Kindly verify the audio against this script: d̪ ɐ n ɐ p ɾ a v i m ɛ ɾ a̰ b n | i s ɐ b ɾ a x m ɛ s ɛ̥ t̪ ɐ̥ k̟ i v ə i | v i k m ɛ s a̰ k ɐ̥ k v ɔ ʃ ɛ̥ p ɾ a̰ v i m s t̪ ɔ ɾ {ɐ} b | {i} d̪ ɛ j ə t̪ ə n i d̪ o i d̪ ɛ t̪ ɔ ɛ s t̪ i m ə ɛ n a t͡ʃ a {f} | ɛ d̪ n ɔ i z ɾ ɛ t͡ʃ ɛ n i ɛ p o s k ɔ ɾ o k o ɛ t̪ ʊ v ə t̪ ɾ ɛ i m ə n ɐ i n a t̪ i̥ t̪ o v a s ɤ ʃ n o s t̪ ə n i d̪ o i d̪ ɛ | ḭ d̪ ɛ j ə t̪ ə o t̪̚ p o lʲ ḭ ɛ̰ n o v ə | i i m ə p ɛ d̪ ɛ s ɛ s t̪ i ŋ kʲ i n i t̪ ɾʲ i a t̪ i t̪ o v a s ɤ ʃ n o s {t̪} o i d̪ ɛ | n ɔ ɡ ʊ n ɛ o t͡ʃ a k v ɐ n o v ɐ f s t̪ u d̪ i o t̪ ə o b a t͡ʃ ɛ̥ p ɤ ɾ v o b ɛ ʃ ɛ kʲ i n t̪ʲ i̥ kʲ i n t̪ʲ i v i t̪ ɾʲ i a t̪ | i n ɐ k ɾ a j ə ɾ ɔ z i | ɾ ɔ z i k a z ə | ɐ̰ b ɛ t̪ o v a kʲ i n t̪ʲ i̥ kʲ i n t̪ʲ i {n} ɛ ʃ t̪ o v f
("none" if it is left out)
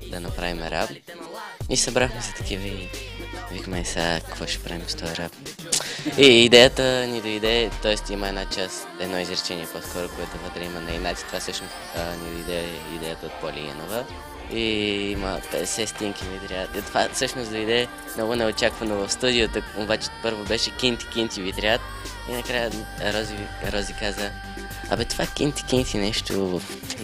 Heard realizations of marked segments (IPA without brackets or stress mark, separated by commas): a, iː, s, d̪, n